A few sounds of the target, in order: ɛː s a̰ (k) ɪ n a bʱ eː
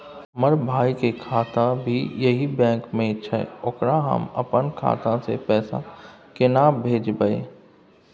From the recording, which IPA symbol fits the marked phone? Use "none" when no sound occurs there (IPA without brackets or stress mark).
k